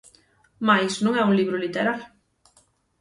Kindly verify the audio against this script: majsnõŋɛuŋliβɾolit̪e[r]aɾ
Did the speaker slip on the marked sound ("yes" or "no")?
yes